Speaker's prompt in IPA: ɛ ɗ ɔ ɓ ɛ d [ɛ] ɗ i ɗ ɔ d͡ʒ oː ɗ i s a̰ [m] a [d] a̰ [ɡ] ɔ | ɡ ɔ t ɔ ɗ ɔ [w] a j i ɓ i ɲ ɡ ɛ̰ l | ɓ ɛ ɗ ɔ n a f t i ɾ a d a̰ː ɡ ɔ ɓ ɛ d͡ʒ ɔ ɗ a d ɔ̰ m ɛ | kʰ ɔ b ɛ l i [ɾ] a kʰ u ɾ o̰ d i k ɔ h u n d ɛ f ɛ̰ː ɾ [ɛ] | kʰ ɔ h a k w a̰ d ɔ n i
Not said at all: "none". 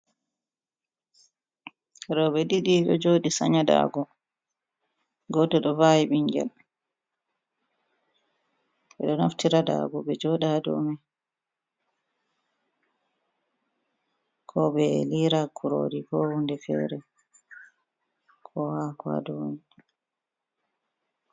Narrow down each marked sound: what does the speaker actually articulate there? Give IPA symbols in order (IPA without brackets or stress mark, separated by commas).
i, ɲ, d, ɡ, v, ɾ, ɛ